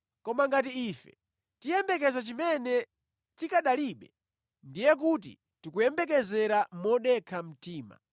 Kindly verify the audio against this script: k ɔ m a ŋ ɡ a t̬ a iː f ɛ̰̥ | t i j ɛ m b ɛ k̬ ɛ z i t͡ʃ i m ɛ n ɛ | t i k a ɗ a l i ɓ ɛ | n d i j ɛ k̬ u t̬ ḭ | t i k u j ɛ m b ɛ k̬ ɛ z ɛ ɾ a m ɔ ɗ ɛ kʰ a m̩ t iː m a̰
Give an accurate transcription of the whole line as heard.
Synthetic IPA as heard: k ɔ m a ŋ ɡ a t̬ i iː f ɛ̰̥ | t i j ɛ m b ɛ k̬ ɛ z a t͡ʃ i m ɛ n ɛ | t i k a ɗ a l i ɓ ɛ | n d i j ɛ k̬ u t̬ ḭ | t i k u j ɛ m b ɛ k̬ ɛ z ɛ ɾ a m ɔ ɗ ɛ kʰ a m̩ t iː m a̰